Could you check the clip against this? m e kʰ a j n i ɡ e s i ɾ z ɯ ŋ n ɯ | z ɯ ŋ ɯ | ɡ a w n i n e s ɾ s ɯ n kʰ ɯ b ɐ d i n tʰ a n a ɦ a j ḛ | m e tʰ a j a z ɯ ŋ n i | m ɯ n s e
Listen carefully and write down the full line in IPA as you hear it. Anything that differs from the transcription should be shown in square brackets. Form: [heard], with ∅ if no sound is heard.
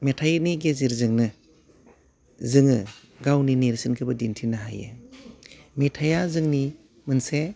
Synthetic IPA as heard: m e [tʰ] a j n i ɡ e [z] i ɾ z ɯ ŋ n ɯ | z ɯ ŋ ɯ | ɡ a w n i n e [∅] ɾ s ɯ n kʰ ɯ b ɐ d i n tʰ [i] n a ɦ a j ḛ | m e tʰ a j a z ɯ ŋ n i | m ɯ n s e